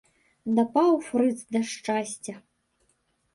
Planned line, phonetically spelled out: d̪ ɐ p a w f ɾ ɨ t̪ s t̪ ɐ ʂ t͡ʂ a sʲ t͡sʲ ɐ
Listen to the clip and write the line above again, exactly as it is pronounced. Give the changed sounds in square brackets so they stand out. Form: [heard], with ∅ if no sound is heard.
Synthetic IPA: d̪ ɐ p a w f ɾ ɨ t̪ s [d̪] ɐ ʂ t͡ʂ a sʲ t͡sʲ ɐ